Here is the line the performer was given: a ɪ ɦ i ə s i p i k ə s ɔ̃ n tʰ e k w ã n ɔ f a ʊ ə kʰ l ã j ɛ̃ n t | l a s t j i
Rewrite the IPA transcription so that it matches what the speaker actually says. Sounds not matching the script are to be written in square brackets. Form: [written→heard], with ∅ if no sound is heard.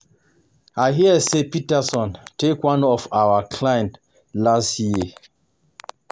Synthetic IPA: a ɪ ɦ i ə s [i→e] p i [k→t] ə s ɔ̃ n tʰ e k w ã n ɔ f a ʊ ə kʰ l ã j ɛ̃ n t | l a s t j i